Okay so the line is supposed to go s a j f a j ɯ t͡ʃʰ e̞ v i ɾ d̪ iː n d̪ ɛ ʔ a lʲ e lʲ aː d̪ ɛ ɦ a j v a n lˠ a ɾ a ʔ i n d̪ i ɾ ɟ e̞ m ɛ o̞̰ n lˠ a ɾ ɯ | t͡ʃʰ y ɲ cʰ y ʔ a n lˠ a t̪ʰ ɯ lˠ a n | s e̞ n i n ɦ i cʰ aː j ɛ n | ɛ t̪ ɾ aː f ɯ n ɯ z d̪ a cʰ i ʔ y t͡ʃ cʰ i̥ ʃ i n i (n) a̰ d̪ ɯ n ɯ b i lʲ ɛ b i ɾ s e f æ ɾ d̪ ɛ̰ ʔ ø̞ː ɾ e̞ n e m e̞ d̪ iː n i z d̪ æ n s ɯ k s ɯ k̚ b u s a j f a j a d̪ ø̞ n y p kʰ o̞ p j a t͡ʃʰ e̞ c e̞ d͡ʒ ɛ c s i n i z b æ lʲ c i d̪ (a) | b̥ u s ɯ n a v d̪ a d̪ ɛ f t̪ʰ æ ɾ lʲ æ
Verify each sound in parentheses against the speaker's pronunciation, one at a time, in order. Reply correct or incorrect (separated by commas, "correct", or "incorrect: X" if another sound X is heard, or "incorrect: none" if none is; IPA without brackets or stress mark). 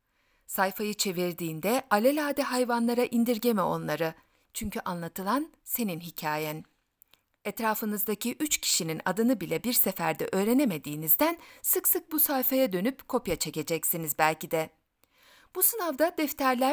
correct, incorrect: ɛ